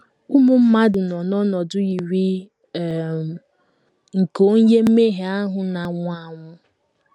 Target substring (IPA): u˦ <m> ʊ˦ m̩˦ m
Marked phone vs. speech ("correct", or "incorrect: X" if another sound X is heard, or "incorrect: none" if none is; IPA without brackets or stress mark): correct